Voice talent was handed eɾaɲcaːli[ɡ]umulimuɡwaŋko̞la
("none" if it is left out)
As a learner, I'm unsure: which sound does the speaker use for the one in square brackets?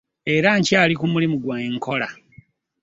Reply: k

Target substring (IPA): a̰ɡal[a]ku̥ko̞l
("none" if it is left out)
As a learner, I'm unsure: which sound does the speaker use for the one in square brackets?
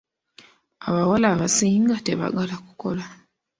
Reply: a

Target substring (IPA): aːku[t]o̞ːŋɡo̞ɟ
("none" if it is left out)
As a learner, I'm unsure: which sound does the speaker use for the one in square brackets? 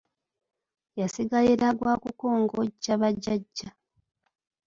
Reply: k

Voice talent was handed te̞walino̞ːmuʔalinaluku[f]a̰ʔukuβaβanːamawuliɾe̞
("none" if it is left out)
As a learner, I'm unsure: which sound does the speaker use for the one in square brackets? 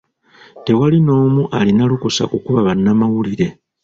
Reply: s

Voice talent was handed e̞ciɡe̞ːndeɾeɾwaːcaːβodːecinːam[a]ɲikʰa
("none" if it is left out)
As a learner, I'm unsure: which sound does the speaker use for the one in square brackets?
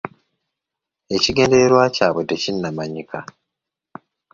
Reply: a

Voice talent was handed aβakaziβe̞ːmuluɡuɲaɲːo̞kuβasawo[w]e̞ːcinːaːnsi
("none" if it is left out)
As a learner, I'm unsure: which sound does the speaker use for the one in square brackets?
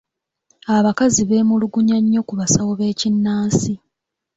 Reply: β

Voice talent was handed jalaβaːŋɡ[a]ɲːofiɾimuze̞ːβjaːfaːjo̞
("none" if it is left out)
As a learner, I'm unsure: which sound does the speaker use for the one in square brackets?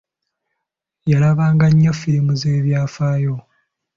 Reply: a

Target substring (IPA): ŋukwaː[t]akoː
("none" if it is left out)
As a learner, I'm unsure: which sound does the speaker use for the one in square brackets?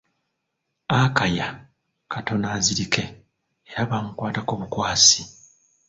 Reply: t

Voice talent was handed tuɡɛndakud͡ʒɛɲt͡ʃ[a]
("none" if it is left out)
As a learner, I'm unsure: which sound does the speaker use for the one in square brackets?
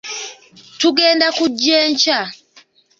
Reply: a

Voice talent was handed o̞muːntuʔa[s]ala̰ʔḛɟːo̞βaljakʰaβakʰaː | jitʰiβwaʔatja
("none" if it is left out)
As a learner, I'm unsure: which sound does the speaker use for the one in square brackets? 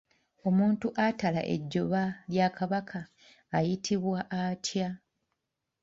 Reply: t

